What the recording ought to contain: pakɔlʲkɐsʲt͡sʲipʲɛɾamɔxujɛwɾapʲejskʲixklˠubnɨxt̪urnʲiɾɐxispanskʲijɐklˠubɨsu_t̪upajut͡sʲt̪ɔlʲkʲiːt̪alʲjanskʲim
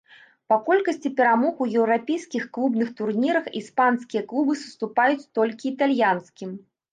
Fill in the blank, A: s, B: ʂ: A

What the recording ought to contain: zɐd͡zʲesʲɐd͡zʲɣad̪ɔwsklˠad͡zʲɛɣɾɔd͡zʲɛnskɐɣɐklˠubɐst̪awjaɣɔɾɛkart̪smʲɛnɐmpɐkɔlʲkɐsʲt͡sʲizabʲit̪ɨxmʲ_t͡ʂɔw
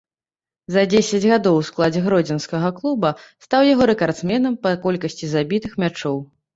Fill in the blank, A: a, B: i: A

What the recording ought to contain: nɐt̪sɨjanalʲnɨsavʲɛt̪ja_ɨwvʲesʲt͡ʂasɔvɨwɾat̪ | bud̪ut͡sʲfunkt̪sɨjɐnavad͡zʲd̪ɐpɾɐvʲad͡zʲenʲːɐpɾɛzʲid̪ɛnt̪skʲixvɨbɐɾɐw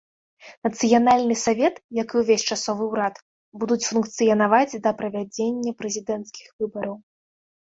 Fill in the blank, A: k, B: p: A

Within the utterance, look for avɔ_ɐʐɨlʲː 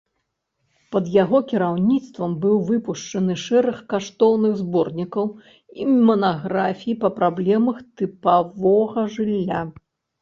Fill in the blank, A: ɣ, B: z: A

